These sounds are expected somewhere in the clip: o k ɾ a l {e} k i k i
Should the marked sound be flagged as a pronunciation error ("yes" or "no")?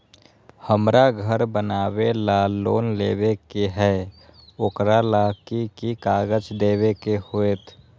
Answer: yes